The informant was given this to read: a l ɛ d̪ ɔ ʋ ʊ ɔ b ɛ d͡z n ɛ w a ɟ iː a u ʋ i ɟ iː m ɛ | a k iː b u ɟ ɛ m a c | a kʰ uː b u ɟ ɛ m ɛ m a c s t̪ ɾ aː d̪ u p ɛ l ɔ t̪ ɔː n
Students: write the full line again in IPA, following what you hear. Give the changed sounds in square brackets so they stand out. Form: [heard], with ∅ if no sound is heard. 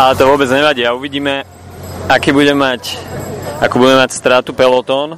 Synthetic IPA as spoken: a l ɛ [t̪] ɔ ʋ ʊ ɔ b ɛ d͡z [ɲ] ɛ [ʋ] a ɟ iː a u ʋ i ɟ iː m ɛ | a k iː b u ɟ ɛ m a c | a [k] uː b u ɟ ɛ m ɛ m a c s t̪ ɾ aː [t̪] u p ɛ l ɔ t̪ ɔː n